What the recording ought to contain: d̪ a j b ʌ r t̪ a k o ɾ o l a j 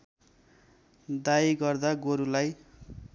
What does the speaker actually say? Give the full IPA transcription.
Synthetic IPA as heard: d̪ a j ɡ ʌ r d̪ a ɡ o ɾ u l a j